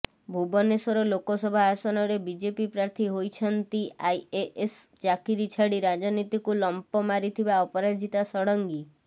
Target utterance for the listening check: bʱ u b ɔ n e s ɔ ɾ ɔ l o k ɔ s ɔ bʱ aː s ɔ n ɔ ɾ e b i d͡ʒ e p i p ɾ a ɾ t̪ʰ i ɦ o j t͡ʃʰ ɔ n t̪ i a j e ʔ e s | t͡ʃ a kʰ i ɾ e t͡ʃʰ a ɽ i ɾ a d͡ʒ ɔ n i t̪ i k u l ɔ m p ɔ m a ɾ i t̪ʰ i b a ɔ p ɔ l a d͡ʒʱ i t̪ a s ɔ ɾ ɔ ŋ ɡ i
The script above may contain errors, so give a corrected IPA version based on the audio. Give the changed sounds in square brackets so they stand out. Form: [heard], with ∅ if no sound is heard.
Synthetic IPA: bʱ u b ɔ n e s ɔ ɾ ɔ l o k ɔ s ɔ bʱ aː s ɔ n ɔ ɾ e b i d͡ʒ e p i p ɾ a ɾ t̪ʰ i ɦ o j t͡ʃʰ ɔ n t̪ i a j e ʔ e s | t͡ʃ a [k] i ɾ [i] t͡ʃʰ a ɽ i ɾ a d͡ʒ ɔ n i t̪ i k u l ɔ m p ɔ m a ɾ i t̪ʰ i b a ɔ p ɔ [ɾ] a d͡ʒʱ i t̪ a s ɔ [ɽ] ɔ ŋ ɡ i